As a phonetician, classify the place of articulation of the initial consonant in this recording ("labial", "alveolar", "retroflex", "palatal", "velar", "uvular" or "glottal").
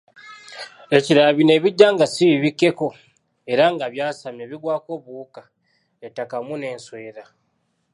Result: palatal